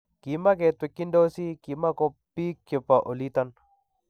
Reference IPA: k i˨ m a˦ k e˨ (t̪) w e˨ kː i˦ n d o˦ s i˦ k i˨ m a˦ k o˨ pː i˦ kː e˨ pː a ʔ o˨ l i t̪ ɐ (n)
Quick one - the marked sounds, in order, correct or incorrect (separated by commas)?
correct, correct